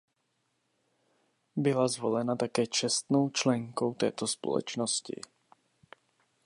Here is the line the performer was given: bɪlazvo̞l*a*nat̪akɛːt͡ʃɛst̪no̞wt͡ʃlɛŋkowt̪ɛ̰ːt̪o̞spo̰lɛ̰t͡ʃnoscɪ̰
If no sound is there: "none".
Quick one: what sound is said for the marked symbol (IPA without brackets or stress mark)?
ɛ